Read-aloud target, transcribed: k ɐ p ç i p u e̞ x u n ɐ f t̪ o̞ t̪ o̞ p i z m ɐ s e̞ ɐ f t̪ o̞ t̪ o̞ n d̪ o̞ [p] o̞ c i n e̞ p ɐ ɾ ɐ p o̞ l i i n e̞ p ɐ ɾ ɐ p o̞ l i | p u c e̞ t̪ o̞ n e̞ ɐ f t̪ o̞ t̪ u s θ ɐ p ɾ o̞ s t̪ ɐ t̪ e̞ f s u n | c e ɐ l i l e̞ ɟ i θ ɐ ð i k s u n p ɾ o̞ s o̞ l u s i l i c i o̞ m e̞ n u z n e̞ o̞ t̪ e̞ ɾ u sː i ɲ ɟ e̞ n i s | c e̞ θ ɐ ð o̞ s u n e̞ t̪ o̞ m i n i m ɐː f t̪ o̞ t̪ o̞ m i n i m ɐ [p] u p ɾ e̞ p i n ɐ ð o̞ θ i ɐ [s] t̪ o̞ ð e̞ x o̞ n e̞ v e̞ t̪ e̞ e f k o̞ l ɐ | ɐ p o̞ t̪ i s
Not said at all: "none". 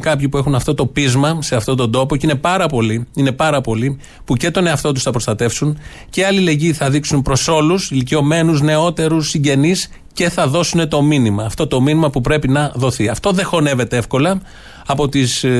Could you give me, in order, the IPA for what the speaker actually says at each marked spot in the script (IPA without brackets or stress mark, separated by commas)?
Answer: p, p, f